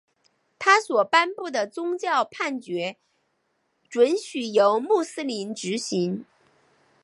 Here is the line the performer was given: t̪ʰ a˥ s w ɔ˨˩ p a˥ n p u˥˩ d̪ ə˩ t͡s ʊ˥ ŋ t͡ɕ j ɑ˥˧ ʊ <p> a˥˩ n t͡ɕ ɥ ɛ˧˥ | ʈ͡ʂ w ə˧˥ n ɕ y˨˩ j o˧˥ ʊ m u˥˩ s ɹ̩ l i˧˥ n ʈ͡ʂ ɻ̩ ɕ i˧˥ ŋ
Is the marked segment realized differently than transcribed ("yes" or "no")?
yes